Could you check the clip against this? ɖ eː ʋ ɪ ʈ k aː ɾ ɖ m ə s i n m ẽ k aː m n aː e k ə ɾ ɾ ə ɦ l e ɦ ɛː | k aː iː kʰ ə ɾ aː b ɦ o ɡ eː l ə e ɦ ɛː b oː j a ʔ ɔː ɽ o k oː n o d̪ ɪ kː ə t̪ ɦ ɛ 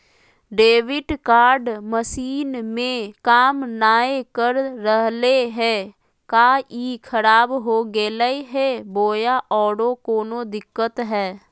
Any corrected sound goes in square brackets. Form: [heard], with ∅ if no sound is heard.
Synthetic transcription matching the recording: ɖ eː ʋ ɪ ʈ k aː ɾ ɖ m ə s [iː] n m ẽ k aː m n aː e k ə ɾ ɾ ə ɦ l e ɦ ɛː | k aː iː kʰ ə ɾ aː b ɦ o ɡ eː l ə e ɦ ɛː b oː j a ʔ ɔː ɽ o k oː n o d̪ ɪ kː ə t̪ ɦ [ɛː]